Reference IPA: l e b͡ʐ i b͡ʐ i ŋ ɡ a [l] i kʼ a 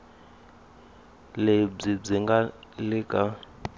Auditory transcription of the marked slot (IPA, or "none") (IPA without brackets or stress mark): l